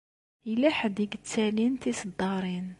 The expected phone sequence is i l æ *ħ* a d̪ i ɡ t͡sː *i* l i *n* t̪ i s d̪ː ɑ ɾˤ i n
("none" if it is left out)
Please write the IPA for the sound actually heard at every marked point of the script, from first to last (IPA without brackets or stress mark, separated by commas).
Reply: ħ, æ, n